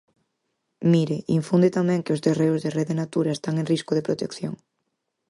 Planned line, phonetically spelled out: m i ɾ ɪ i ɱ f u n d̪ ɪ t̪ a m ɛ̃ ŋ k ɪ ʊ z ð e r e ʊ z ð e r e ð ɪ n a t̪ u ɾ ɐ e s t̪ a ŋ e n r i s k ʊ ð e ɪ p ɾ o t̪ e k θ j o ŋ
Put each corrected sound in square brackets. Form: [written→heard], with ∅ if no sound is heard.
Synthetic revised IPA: m i ɾ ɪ i ɱ f u n d̪ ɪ t̪ a m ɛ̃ ŋ k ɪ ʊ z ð e r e ʊ z ð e r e ð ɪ n a t̪ u ɾ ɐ e s t̪ a ŋ e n r i s k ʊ ð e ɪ p ɾ o t̪ e k θ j o ŋ